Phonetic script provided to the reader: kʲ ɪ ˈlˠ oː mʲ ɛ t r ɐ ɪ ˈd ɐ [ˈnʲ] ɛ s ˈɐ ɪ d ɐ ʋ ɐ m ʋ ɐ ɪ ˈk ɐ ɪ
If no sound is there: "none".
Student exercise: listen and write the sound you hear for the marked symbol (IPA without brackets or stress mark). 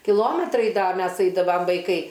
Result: mʲ